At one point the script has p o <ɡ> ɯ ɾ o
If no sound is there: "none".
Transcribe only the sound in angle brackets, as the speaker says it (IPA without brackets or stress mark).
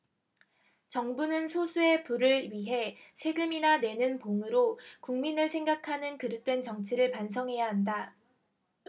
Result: ŋ